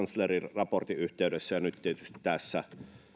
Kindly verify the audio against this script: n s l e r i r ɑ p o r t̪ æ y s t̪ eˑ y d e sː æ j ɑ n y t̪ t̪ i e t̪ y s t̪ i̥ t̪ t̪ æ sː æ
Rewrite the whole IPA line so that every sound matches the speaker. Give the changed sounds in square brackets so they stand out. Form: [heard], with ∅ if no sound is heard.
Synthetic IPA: n s l e r i r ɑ p o r t̪ [i] y [h] t̪ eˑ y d e sː æ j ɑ n y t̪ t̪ i e t̪ y s t̪ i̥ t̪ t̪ æ sː æ